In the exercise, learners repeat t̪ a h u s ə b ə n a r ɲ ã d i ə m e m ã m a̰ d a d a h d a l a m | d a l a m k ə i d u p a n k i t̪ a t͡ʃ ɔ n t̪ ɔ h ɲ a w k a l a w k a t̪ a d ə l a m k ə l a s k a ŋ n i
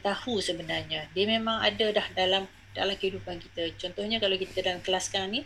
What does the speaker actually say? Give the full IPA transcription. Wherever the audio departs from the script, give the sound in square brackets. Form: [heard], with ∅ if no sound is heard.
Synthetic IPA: t̪ a h u s ə b ə n a r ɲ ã d i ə m e m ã [ŋ] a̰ d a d a h d a l a m | d a l a m k ə i d u p a n k i t̪ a t͡ʃ ɔ n t̪ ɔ h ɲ a [∅] k a l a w k [i] t̪ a d [a] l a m k ə l a s k a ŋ n i